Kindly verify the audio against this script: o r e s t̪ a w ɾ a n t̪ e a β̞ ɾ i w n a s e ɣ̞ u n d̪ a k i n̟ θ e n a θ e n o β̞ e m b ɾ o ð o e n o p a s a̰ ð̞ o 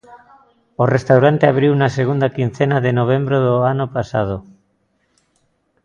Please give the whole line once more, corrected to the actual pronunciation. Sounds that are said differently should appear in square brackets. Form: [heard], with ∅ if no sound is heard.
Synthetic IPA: o r e s t̪ a w ɾ a n t̪ e a β̞ ɾ i w n a s e ɣ̞ u n d̪ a k i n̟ θ e n a [ð] e n o β̞ e m b ɾ o ð o [a] n o p a s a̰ ð̞ o